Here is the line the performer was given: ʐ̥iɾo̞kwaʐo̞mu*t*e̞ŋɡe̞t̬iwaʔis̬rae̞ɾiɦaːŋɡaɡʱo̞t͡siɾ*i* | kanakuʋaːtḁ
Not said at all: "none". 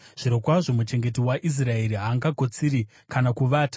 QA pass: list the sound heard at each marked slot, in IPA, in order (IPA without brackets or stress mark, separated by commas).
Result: t͡ʃ, i